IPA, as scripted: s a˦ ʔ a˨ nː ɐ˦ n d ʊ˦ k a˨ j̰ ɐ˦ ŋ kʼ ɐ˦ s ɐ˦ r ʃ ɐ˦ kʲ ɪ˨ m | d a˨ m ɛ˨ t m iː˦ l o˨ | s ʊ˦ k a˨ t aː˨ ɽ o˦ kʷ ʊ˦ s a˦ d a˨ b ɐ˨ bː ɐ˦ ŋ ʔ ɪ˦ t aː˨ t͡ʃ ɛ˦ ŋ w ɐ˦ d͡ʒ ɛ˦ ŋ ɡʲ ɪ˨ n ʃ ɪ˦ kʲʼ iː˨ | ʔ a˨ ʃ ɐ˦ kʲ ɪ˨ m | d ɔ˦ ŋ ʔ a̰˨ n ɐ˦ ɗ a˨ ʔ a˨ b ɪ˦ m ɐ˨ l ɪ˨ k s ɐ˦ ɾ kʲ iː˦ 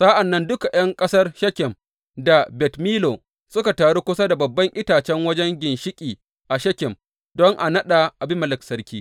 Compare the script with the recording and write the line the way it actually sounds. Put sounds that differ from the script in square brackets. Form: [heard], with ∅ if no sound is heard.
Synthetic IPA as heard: s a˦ ʔ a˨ nː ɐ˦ n d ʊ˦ k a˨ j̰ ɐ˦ ŋ kʼ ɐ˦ s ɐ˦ r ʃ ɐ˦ kʲ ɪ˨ m | d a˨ [b] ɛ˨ t m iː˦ l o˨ | s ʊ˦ k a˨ t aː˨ ɽ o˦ kʷ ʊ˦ s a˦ d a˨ b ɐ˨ bː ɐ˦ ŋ ʔ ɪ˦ t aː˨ t͡ʃ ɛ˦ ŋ w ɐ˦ d͡ʒ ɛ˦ ŋ ɡʲ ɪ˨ n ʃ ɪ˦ kʲʼ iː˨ | ʔ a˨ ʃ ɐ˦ kʲ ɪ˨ m | d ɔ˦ ŋ ʔ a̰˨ n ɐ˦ ɗ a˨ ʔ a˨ b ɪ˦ m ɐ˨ l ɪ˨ k s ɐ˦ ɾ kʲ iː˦